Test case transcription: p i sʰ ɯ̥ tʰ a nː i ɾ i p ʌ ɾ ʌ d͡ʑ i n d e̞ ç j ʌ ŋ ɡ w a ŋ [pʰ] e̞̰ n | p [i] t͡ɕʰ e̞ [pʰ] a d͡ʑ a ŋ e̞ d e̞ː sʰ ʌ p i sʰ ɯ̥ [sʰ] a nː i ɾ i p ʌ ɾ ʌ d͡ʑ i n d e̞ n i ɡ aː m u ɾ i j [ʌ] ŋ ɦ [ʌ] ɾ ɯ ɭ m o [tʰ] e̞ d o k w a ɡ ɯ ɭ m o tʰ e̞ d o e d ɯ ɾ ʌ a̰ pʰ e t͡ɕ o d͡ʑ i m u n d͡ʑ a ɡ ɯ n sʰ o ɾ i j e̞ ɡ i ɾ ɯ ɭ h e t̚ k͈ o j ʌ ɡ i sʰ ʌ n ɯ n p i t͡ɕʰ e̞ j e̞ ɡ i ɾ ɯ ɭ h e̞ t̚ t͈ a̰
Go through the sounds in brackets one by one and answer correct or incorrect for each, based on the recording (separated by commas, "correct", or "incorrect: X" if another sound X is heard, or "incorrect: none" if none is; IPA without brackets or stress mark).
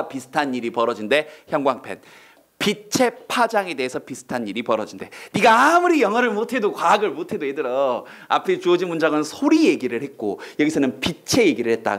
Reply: correct, correct, correct, incorrect: tʰ, correct, correct, correct